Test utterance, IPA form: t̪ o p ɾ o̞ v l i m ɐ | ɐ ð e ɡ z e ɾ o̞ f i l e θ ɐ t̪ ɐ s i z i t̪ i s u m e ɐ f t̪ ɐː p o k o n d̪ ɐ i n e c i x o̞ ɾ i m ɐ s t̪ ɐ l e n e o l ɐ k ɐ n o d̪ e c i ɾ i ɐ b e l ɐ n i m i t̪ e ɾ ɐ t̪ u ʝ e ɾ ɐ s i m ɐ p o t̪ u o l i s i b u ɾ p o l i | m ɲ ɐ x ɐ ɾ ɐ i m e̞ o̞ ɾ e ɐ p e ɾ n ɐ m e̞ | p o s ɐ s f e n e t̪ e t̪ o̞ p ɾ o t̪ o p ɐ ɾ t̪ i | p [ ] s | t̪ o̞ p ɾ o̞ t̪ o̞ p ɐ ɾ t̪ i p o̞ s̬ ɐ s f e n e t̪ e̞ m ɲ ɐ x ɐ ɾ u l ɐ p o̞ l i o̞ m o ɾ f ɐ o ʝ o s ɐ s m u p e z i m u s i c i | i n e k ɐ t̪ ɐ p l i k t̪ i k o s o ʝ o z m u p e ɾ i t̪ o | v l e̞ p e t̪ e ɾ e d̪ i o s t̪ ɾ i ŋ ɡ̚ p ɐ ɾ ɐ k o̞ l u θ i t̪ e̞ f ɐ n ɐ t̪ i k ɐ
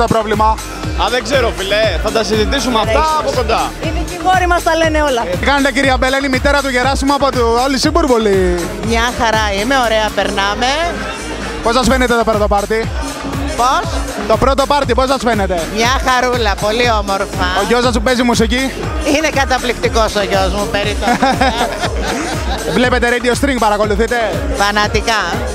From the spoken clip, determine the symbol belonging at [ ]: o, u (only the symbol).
o